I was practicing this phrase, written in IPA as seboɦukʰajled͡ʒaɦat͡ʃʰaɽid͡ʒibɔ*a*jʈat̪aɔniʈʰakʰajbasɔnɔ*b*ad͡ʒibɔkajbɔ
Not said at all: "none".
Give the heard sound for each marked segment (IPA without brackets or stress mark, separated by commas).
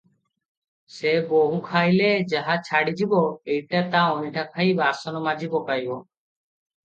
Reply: e, m